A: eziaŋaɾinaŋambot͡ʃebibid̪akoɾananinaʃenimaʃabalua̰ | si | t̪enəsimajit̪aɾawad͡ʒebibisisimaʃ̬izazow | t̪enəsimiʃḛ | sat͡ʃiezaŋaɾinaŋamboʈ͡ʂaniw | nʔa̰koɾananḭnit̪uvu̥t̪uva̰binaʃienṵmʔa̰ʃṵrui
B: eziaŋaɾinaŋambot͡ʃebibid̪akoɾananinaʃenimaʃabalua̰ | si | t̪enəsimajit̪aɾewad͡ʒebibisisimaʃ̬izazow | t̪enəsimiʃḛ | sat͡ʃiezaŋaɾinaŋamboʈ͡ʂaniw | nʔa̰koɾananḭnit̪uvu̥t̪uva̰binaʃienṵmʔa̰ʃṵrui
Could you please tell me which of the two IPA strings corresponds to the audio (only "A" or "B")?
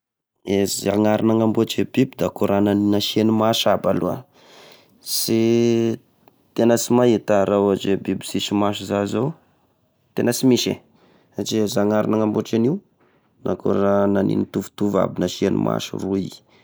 A